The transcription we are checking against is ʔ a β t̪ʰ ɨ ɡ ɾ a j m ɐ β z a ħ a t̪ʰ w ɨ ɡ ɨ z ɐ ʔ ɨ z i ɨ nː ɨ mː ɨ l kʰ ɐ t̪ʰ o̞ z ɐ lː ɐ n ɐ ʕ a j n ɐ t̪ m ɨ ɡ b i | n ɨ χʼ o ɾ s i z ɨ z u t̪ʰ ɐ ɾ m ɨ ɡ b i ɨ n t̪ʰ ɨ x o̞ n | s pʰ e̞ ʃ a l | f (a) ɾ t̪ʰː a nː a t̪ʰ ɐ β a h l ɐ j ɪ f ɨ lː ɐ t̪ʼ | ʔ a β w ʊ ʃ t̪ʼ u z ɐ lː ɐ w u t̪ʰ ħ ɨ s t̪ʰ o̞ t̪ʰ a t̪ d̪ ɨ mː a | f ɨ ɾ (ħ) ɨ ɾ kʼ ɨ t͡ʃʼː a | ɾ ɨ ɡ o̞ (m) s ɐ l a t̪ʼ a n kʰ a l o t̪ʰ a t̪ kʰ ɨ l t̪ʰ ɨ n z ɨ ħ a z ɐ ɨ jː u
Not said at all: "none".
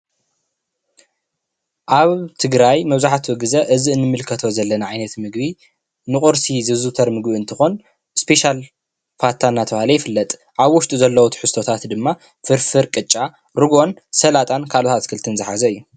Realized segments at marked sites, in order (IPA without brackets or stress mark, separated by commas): a, f, n